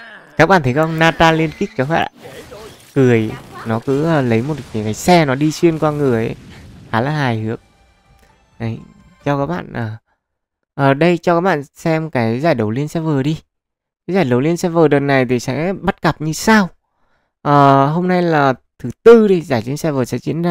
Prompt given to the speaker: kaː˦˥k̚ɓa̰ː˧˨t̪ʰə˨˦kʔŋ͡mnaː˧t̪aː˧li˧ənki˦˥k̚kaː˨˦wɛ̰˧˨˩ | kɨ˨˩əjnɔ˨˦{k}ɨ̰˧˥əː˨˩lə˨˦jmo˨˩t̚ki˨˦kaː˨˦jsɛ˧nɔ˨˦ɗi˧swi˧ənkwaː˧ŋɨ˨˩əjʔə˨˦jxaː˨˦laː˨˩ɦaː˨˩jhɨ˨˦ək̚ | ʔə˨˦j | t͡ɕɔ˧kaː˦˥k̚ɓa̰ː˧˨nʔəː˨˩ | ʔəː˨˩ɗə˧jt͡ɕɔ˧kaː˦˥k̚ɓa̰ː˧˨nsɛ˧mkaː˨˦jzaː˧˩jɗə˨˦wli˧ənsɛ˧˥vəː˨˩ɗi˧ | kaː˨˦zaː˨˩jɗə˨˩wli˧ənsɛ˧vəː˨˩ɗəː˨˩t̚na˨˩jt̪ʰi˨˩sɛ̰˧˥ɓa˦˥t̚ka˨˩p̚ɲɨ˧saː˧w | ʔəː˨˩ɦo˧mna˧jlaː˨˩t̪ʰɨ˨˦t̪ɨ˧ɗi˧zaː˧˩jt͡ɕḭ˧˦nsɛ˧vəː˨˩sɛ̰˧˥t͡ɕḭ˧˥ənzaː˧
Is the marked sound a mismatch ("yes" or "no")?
no